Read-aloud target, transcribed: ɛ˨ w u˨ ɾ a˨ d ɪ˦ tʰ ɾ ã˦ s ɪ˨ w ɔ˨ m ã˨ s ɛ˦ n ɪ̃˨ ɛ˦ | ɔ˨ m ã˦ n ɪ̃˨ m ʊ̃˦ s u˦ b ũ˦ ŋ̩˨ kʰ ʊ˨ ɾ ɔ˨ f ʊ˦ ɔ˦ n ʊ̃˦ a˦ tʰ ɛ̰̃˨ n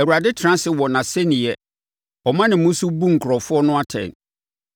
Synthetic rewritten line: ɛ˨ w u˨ ɾ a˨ d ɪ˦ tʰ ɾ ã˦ s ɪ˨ w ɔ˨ n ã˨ s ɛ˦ n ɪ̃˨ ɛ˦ | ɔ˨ m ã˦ n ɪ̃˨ m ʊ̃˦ s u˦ b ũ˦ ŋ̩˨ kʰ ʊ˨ ɾ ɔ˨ f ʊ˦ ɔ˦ n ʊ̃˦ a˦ tʰ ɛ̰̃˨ n